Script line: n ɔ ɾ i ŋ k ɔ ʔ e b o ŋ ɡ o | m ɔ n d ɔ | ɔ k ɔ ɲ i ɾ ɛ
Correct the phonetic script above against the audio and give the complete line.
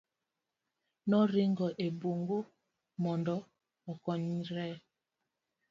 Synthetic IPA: n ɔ ɾ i ŋ ɡ ɔ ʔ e b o ŋ ɡ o | m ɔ n d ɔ | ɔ k ɔ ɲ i ɾ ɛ